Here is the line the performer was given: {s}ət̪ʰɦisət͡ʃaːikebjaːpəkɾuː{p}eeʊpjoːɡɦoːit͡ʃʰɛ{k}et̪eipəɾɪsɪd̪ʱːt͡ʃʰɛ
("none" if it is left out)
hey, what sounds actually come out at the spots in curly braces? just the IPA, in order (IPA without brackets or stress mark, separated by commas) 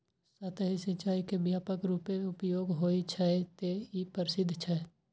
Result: s, p, none